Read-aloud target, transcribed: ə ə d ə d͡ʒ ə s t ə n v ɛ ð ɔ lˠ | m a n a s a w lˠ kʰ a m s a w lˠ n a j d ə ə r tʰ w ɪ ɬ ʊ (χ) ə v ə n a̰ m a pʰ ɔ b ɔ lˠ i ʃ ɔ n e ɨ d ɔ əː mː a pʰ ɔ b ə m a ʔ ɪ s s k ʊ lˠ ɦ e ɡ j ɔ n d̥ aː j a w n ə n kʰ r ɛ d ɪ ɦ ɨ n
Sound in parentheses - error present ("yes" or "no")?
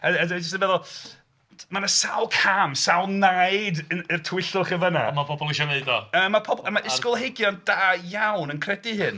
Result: no